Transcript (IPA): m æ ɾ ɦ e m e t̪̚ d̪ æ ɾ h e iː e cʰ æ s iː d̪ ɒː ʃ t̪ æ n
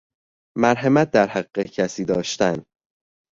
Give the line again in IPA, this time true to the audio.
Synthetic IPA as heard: m æ ɾ ɦ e m æ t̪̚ d̪ æ ɾ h æ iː e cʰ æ s iː d̪ ɒː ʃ t̪ æ n